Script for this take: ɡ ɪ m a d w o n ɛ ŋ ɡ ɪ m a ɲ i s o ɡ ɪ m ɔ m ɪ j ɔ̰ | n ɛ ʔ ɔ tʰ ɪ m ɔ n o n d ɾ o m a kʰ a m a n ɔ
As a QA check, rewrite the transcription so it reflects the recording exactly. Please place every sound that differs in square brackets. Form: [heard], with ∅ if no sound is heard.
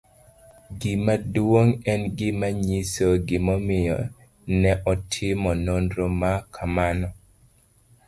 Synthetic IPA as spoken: ɡ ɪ m a d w o [ŋ] ɛ [n] ɡ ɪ m a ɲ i s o ɡ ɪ m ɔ m ɪ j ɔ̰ | n ɛ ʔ ɔ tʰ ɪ m ɔ n o n d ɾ o m a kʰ a m a n ɔ